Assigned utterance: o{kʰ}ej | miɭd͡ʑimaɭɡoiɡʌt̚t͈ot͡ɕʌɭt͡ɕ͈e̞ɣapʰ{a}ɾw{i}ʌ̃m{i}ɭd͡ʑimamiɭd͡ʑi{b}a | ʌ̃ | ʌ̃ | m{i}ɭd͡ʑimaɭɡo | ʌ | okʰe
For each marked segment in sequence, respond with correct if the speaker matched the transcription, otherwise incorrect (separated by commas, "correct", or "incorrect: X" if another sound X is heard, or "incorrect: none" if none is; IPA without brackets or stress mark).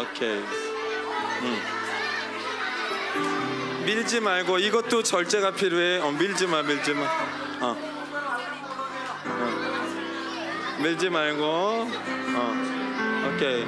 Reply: correct, incorrect: i, incorrect: e, correct, incorrect: m, correct